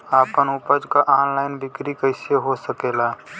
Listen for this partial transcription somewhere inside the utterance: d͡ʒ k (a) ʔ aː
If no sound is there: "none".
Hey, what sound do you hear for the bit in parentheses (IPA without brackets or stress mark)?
a